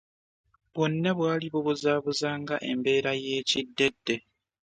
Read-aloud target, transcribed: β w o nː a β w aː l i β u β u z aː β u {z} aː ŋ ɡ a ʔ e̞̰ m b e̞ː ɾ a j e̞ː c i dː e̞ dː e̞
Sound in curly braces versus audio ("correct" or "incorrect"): correct